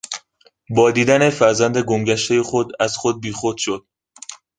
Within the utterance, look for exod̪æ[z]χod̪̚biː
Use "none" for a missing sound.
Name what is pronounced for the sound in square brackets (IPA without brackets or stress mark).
z